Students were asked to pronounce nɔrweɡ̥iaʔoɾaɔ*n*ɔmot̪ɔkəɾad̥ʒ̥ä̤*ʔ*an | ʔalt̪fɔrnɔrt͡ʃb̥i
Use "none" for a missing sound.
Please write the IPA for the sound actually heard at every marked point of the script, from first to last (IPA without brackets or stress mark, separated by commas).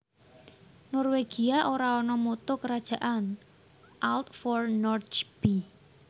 n, ʔ